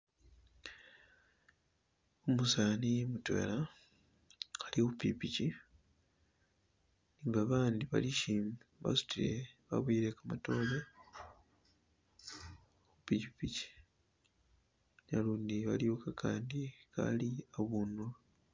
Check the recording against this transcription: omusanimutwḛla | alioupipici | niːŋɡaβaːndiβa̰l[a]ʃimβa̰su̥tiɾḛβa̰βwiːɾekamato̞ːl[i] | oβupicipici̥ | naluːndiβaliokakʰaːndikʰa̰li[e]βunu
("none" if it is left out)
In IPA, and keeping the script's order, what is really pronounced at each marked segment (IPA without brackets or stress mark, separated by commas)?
i, e, a